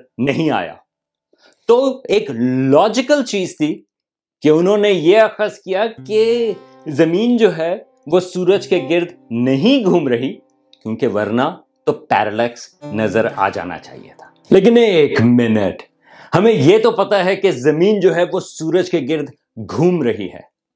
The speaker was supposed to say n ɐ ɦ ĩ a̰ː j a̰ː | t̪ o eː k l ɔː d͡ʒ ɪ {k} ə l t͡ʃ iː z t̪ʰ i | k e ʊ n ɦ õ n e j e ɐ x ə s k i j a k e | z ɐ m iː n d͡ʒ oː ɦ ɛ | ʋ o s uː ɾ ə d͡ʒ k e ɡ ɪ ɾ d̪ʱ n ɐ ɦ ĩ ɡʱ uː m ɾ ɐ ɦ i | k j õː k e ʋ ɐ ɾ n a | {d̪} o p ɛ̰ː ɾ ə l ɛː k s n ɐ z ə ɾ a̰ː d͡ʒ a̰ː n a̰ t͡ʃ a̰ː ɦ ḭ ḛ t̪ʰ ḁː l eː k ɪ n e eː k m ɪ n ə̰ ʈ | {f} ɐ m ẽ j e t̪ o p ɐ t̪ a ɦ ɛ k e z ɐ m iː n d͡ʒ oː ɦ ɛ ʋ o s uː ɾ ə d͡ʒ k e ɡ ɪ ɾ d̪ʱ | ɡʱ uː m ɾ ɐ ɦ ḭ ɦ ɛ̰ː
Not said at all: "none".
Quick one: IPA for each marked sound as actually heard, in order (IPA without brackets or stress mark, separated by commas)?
k, t̪, h